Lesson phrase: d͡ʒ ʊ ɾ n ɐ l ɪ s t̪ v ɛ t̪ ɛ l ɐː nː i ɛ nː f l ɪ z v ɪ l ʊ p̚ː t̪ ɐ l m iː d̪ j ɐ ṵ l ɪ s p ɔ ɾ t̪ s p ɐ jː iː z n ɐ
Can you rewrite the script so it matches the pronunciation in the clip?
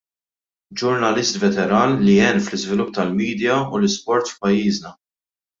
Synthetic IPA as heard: d͡ʒ ʊ ɾ n ɐ l ɪ s t̪ v ɛ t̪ ɛ ɾ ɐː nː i ɛ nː f l ɪ z v ɪ l ʊ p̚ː t̪ ɐ l m iː d̪ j ɐ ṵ l ɪ s p ɔ ɾ t̪ f p ɐ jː iː z n ɐ